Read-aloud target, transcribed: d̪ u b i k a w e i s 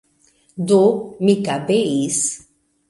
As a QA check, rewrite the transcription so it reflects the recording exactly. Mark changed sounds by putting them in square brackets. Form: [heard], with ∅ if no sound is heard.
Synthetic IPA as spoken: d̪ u [m] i k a [b] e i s